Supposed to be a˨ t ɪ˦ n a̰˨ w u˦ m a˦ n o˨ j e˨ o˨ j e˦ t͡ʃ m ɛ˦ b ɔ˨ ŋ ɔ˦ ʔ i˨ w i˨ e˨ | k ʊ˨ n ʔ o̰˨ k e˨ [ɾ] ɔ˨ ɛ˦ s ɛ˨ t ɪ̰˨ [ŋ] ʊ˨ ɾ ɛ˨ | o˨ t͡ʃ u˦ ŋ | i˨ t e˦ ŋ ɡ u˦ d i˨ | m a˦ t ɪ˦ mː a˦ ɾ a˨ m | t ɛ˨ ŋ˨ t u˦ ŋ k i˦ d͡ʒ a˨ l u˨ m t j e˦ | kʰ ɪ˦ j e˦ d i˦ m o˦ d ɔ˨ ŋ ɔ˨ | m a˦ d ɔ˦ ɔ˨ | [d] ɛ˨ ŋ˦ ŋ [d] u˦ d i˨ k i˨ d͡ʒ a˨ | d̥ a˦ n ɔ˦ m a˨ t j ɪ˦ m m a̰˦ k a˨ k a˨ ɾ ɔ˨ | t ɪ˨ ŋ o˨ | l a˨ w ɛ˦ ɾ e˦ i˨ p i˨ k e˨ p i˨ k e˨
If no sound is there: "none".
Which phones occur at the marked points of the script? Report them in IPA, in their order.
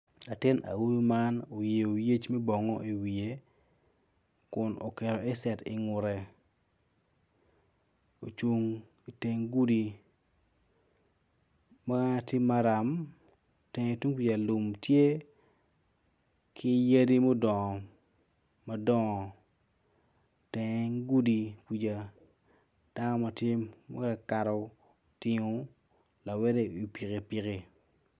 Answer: ɾ, ŋ, t, ɡ

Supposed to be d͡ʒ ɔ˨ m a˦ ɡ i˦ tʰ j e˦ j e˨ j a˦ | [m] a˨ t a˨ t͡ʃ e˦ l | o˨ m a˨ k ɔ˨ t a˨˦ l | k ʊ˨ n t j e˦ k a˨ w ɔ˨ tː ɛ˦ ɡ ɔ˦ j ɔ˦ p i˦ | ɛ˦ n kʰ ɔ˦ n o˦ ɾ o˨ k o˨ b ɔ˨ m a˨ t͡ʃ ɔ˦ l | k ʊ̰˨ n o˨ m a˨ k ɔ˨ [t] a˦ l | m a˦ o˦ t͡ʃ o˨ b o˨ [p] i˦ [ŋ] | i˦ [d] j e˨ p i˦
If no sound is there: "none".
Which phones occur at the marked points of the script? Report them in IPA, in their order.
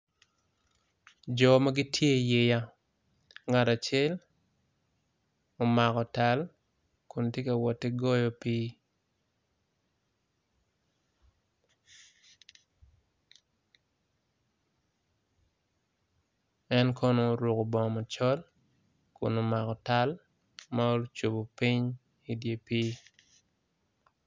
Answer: ŋ, t, p, ɲ, d

